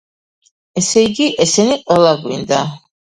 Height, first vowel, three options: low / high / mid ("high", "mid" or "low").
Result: mid